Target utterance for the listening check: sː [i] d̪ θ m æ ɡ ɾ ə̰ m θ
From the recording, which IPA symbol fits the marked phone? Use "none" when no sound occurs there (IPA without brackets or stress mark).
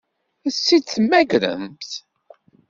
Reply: i